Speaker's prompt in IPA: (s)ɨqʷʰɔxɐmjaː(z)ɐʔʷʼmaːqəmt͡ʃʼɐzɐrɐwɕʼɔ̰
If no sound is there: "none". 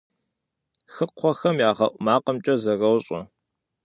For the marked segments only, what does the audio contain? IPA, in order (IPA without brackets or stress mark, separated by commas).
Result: x, ʁ